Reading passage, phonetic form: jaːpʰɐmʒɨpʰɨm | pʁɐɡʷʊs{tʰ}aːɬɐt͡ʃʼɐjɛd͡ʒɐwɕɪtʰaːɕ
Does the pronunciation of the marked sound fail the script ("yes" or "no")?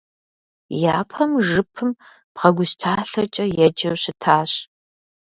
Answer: no